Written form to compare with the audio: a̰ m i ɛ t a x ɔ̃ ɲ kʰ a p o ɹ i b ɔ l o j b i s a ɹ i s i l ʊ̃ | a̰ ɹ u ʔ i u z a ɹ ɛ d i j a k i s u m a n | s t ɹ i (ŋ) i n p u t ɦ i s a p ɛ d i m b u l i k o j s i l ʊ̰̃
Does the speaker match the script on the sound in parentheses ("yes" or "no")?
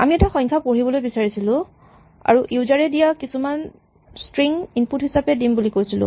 yes